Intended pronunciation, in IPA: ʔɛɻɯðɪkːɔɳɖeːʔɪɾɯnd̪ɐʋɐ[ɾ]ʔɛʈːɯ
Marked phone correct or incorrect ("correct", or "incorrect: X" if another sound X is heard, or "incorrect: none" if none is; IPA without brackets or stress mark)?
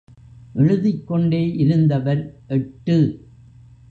correct